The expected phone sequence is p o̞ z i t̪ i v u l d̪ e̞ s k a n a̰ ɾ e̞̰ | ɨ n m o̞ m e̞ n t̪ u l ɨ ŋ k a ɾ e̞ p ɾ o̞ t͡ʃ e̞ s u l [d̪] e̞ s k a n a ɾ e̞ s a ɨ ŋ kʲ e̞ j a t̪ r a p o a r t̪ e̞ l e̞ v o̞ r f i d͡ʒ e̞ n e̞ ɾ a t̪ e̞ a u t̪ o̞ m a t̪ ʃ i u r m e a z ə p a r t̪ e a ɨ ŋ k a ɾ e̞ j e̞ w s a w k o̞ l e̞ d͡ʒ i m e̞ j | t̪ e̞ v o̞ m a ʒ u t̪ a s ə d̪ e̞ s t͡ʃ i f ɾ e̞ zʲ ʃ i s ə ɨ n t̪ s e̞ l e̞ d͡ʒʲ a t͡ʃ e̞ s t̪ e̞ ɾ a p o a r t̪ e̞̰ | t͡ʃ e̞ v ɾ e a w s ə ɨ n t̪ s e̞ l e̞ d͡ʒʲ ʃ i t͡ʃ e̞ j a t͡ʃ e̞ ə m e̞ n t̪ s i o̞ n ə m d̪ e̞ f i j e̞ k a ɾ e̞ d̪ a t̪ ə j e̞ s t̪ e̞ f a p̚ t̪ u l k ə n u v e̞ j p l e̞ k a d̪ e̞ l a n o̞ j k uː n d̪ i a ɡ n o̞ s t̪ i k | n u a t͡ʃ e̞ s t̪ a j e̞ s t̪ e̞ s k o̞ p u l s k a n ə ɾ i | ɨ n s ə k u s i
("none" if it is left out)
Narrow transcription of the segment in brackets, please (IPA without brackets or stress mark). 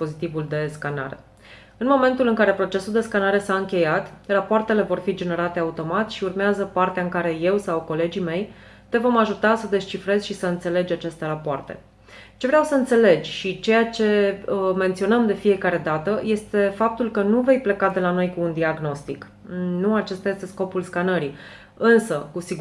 d̪